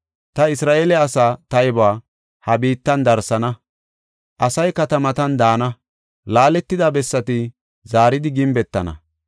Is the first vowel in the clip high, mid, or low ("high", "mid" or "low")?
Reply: low